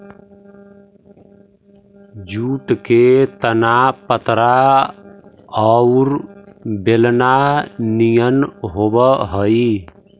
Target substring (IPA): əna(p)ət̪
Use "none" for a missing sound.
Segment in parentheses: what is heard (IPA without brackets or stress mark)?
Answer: p